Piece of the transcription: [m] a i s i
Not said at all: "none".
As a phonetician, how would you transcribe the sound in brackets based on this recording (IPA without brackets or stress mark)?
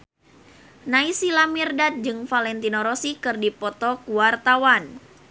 n